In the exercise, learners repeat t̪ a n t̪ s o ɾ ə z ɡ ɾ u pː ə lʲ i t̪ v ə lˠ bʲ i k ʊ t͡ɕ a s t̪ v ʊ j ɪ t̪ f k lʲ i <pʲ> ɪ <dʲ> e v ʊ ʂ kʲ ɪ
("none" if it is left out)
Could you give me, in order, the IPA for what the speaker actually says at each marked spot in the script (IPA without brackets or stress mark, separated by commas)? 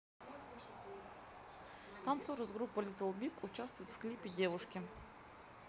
pʲ, dʲ